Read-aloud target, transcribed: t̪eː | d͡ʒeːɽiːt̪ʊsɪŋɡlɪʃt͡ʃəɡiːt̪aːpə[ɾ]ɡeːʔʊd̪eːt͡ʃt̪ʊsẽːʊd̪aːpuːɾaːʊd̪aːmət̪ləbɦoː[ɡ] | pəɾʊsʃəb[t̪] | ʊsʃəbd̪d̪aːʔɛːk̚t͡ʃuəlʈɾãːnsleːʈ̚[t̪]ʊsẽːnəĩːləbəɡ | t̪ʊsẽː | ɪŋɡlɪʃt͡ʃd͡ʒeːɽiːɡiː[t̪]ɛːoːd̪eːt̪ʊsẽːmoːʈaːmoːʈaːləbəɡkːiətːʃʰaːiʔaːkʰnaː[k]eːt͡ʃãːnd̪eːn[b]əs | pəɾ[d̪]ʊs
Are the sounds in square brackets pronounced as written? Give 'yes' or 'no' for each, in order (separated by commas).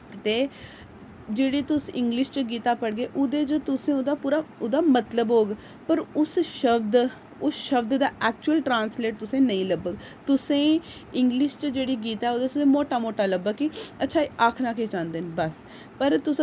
no, yes, no, yes, yes, yes, yes, no